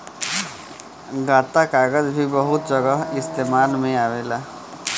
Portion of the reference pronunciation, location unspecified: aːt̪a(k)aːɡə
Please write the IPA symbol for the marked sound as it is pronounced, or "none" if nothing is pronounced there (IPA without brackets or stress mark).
k